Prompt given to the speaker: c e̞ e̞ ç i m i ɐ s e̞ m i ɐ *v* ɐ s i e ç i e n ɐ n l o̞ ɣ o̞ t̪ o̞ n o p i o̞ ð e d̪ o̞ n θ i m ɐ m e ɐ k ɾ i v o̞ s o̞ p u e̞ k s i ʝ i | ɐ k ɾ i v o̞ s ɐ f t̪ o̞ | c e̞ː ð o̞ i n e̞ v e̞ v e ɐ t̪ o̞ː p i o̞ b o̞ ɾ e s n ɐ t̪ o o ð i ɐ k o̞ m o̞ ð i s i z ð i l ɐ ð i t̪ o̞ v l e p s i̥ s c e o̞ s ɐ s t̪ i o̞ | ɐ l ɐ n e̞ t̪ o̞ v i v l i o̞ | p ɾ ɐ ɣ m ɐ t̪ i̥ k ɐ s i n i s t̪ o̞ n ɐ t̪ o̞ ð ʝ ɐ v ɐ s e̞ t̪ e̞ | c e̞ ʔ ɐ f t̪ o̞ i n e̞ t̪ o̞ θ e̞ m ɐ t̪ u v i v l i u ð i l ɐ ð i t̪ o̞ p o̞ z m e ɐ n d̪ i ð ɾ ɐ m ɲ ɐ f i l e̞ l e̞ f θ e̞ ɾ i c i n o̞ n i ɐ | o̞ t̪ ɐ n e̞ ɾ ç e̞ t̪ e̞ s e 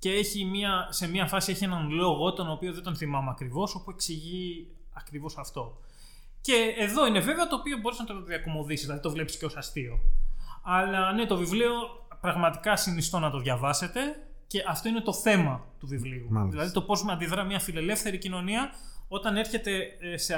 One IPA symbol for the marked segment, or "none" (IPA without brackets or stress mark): f